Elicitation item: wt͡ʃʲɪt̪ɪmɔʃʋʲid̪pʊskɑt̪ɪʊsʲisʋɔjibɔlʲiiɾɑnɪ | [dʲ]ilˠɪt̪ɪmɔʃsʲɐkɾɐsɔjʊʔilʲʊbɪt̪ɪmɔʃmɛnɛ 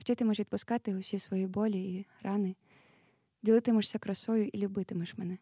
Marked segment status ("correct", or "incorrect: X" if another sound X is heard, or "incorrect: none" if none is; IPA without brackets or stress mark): correct